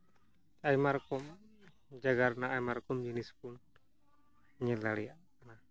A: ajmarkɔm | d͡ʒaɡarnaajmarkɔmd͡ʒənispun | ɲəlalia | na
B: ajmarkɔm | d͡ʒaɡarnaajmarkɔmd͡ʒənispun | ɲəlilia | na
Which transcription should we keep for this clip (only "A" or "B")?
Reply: A